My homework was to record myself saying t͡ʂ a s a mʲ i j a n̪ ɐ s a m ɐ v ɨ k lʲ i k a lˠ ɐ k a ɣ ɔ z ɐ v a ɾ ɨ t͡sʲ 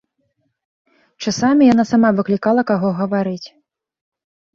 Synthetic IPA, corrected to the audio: t͡ʂ a s a mʲ i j a n̪ a s a m a v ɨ k lʲ i k a lˠ ɐ k a ɣ ɔ ɣ ɐ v a ɾ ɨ t͡sʲ